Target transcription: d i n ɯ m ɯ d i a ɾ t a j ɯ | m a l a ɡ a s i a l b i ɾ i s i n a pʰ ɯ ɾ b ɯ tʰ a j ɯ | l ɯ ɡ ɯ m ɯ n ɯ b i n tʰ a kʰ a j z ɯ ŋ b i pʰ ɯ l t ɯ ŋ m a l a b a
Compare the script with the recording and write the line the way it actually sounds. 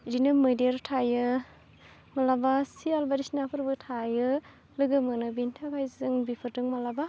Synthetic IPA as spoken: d i n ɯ m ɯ d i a ɾ tʰ a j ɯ | m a l a b a s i a l b a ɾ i s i n a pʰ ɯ ɾ b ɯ tʰ a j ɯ | l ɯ ɡ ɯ m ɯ n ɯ b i n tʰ a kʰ a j z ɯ ŋ b i pʰ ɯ ɾ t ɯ ŋ m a l a b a